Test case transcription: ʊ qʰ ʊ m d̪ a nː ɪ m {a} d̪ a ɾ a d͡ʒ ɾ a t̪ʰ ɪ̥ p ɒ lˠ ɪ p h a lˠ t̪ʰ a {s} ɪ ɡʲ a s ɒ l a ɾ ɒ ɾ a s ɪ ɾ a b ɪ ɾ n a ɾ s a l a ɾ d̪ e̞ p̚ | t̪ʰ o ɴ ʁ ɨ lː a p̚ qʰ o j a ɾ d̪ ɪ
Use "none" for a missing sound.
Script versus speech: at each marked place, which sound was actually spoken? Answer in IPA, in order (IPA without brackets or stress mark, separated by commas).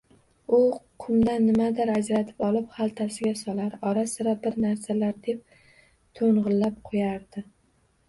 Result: a, s